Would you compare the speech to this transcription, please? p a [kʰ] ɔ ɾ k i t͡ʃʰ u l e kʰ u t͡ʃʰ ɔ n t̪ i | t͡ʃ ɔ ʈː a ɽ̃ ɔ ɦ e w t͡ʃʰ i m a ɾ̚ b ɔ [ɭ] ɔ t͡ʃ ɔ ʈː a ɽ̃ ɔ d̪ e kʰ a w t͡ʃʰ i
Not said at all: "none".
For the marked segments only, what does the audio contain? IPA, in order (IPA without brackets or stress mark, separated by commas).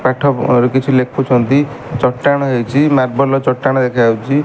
ʈʰ, l